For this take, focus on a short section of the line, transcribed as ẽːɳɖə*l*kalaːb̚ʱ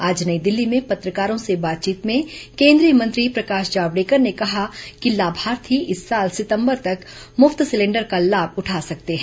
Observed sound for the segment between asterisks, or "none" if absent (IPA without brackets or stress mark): ɾ